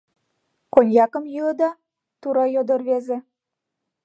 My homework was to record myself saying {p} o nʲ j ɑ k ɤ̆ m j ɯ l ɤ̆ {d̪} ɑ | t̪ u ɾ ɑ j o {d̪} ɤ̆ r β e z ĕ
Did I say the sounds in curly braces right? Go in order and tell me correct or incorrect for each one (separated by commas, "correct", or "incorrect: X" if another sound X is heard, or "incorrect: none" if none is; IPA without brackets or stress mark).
incorrect: k, correct, correct